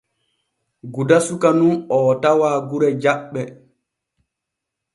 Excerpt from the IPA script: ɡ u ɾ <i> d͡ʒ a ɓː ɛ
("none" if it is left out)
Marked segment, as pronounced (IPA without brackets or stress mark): ɛ